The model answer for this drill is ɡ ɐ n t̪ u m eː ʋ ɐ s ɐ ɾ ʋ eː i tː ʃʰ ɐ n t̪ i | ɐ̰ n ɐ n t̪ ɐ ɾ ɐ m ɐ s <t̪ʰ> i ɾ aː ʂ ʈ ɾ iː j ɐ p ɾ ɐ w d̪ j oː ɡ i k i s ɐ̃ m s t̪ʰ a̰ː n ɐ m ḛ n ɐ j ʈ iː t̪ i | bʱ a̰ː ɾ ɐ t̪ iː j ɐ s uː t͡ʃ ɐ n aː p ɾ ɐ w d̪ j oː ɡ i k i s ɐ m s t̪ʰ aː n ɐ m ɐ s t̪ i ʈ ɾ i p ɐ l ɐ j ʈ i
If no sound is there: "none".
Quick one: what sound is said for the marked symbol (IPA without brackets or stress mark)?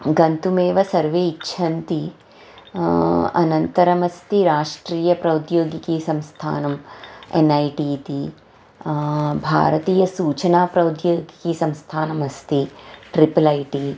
t̪